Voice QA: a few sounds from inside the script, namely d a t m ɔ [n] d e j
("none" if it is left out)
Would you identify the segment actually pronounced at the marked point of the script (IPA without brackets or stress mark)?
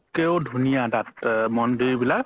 n